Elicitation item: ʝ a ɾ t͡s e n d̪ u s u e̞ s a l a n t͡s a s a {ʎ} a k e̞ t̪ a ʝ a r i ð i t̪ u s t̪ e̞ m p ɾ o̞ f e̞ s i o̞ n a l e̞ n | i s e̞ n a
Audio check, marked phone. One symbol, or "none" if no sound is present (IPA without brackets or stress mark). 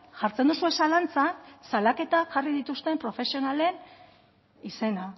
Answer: l